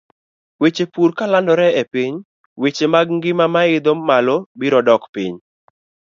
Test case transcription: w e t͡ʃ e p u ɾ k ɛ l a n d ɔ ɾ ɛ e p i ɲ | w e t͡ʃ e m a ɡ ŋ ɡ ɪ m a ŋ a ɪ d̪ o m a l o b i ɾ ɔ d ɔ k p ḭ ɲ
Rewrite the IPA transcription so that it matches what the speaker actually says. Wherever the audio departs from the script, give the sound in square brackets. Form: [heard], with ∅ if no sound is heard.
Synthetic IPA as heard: w e t͡ʃ e p u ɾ k [a] l a n d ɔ ɾ ɛ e p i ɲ | w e t͡ʃ e m a ɡ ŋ ɡ ɪ m a [m] a ɪ d̪ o m a l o b i ɾ ɔ d ɔ k p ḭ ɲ